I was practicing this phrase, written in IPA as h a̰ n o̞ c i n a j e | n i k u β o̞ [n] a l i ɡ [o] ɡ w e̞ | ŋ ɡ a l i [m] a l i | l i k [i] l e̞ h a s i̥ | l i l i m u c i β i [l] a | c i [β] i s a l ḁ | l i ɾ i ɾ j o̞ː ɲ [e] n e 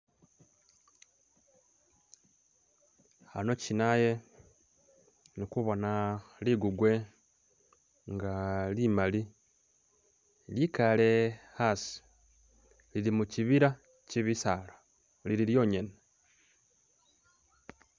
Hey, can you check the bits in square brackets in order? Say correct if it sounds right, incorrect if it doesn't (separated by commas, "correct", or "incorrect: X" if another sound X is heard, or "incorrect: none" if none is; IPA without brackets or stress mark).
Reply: correct, incorrect: u, correct, incorrect: a, incorrect: ɾ, correct, correct